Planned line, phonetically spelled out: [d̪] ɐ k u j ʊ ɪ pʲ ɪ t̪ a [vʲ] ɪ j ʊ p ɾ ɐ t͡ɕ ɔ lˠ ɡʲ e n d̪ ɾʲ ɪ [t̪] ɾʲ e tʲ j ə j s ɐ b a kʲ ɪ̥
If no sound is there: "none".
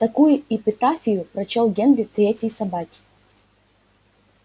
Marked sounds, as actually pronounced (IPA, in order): t̪, fʲ, t̪

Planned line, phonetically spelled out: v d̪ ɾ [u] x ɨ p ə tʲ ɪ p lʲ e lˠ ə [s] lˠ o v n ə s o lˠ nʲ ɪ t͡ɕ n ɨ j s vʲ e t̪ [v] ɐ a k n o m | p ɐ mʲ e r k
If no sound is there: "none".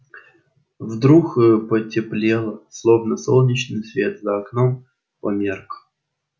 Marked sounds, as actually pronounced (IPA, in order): u, s, z

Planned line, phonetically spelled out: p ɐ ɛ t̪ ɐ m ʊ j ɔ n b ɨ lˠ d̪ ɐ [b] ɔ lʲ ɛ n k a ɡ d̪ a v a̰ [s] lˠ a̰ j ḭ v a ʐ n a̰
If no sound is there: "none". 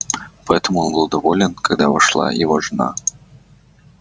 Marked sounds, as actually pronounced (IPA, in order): v, ʂ

